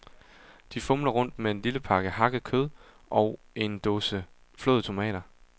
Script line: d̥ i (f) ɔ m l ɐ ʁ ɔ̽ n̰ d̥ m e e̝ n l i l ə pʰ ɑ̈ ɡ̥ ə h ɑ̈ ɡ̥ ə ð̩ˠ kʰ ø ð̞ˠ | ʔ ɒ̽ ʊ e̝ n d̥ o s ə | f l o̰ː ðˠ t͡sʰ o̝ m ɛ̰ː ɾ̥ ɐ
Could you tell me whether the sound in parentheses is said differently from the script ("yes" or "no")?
no